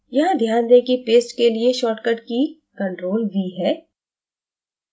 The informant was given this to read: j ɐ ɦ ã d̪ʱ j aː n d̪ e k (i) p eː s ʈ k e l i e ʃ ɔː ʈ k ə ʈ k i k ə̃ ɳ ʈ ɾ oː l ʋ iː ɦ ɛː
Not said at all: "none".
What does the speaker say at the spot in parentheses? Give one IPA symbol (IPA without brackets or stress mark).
i